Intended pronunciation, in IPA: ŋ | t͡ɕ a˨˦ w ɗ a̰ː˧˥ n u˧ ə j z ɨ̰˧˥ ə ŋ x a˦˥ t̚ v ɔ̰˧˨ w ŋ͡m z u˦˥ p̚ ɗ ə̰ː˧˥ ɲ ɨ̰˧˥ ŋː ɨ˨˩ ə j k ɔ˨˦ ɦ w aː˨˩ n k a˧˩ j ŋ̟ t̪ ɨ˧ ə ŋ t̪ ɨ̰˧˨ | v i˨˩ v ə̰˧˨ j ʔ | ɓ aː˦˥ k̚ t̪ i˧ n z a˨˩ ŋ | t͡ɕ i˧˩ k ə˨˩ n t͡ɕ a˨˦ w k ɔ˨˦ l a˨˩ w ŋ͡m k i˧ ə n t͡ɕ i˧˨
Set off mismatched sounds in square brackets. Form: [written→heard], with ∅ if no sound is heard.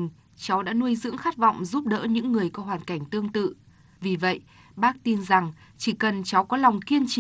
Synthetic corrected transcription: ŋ | t͡ɕ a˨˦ w ɗ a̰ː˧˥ n u˧ ə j z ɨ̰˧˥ ə ŋ x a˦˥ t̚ v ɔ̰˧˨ w ŋ͡m z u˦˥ p̚ ɗ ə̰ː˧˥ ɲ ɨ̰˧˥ ŋː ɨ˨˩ ə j k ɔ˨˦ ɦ w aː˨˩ n k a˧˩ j ŋ̟ t̪ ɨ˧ ə ŋ t̪ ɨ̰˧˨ | v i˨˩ v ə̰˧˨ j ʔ | ɓ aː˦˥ k̚ t̪ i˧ n z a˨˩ ŋ | t͡ɕ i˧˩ k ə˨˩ n t͡ɕ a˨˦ w k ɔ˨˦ l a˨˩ w ŋ͡m k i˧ ə n t͡ɕ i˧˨